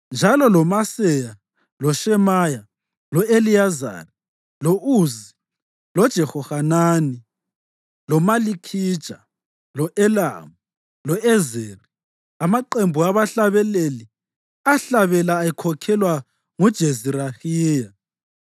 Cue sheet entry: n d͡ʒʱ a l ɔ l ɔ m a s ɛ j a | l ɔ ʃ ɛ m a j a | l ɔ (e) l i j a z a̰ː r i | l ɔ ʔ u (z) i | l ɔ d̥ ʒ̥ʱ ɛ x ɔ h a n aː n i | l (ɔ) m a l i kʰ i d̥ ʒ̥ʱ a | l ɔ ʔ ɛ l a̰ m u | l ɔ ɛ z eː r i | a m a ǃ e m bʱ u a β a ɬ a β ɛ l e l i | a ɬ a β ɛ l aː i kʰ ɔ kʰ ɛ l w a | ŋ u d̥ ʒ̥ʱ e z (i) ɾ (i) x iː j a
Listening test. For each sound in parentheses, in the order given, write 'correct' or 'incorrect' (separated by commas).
correct, correct, correct, correct, incorrect